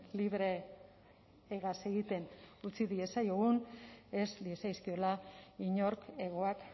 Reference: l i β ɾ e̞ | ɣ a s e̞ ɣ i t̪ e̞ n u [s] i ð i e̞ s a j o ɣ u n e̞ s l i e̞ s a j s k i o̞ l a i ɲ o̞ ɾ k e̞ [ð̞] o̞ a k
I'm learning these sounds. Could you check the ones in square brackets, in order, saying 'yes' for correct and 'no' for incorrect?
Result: no, no

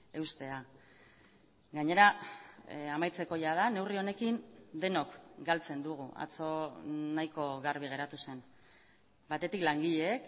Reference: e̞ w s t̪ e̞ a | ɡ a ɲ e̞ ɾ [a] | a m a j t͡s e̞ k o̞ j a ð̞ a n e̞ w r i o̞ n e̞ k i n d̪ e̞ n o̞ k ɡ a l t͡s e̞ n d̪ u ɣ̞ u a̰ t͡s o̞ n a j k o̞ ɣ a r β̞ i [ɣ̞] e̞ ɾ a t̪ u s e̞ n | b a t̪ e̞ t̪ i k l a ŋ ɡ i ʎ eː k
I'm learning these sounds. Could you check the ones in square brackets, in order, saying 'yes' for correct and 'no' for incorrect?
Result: yes, yes

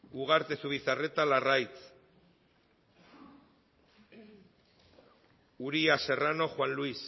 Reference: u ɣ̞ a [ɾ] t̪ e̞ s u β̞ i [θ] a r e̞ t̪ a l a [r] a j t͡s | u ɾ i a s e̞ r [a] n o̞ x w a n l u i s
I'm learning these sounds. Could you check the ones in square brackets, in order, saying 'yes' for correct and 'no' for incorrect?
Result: yes, yes, yes, yes

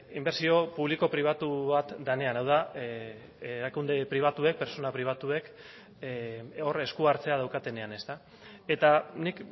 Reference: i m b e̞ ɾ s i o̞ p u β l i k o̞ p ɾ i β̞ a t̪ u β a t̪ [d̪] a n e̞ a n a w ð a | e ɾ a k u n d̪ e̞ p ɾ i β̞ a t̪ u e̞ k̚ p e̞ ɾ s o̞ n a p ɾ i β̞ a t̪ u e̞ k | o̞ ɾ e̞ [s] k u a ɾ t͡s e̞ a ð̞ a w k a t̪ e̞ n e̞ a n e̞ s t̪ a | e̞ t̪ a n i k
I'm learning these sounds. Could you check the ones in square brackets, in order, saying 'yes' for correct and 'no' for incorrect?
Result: yes, yes

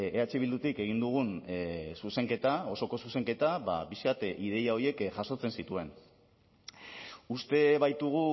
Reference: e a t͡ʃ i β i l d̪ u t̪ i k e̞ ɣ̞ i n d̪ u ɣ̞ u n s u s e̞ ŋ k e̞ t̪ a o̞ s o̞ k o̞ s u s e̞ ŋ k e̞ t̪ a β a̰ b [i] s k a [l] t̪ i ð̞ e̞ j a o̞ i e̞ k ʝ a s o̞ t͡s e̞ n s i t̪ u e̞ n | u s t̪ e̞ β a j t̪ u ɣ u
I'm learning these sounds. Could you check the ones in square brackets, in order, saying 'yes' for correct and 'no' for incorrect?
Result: yes, no

